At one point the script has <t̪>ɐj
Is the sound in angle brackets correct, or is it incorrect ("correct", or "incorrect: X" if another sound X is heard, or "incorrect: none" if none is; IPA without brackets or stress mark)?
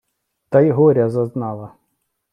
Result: correct